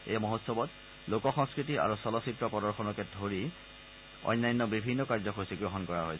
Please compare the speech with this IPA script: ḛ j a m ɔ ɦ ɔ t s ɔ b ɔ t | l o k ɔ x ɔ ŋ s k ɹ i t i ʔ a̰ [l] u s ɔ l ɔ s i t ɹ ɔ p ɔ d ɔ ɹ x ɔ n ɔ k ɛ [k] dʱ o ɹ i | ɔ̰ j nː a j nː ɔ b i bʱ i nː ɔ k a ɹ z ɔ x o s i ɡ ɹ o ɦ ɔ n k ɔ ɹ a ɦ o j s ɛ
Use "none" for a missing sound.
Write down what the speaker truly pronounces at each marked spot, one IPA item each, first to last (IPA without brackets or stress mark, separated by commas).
ɹ, none